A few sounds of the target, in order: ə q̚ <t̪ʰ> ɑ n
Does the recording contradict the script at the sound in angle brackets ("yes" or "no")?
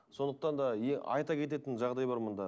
yes